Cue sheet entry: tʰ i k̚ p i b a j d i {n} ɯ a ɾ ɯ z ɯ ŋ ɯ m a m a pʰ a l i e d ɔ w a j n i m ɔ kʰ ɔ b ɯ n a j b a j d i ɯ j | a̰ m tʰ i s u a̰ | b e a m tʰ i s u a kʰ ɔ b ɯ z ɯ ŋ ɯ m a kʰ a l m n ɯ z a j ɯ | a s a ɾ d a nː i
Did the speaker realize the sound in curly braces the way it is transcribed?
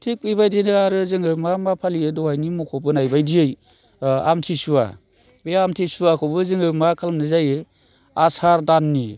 yes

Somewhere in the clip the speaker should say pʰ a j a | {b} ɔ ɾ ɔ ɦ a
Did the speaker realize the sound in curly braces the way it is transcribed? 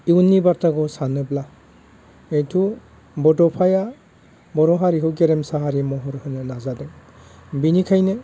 yes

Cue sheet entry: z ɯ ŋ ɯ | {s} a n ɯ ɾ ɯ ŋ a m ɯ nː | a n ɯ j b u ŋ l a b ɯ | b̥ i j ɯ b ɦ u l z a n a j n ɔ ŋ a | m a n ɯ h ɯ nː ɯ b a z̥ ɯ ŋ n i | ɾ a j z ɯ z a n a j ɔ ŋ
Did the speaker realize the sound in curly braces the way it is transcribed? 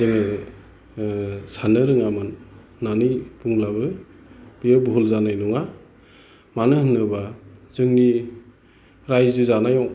yes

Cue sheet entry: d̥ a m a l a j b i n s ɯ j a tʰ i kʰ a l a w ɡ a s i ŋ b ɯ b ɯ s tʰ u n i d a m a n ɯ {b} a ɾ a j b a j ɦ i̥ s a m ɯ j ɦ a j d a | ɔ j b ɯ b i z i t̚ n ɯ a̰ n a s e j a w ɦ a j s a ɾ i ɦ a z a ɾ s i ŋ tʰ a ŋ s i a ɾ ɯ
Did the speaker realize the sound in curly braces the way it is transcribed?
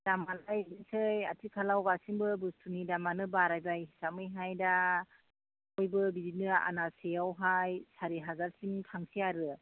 yes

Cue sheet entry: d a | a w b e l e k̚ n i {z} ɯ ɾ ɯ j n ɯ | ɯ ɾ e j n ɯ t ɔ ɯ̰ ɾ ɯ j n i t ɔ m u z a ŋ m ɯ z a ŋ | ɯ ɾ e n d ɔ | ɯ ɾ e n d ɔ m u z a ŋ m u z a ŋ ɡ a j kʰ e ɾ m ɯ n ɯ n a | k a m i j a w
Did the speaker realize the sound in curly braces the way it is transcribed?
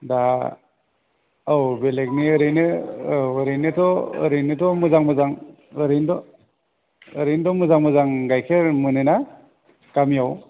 no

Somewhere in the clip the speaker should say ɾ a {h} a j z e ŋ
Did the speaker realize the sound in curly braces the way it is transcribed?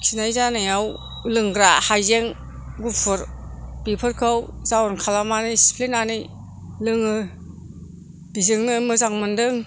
yes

